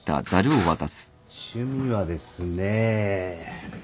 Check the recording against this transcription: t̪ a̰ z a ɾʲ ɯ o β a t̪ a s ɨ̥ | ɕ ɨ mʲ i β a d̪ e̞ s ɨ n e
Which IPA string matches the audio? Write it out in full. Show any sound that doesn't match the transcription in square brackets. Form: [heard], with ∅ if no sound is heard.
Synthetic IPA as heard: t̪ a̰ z a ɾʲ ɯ o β a t̪ a s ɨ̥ | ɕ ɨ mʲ i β a d̪ e̞ s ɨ n e